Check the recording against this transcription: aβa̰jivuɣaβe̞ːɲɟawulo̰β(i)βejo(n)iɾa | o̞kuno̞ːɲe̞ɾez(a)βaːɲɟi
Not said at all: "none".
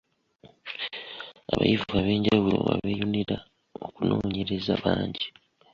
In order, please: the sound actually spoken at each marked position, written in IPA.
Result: a, n, a

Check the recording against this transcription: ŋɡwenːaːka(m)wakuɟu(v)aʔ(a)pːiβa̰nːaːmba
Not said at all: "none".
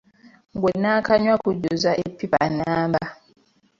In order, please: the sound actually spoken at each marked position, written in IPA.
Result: ɲ, z, e

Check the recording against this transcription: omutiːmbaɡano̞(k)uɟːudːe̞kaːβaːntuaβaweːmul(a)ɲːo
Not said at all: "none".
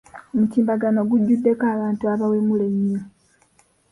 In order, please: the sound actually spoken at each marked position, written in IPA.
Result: ɡ, e

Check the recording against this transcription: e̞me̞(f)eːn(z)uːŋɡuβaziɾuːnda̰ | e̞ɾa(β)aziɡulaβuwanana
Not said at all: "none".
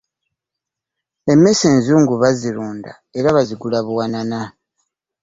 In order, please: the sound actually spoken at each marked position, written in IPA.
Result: s, z, β

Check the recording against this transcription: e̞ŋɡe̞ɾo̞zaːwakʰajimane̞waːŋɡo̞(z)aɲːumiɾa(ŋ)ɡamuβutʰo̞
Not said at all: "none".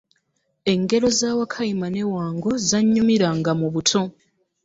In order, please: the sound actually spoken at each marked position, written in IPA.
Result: z, ŋ

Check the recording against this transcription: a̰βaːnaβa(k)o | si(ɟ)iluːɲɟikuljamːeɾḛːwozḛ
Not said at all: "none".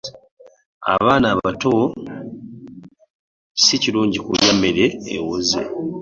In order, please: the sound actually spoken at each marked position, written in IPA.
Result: t, c

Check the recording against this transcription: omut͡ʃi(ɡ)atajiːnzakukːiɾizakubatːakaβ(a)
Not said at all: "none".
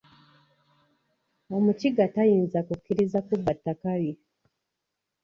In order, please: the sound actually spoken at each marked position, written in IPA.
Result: ɡ, i

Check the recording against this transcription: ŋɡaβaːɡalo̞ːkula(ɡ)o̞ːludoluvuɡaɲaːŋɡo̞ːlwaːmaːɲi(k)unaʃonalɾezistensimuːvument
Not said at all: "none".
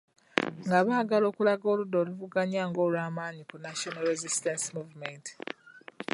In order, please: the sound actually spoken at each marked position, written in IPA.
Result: ɡ, k

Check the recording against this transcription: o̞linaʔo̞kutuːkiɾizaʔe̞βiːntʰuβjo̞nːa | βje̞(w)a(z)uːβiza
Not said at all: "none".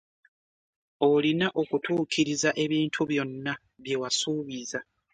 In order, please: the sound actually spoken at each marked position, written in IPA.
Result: w, s

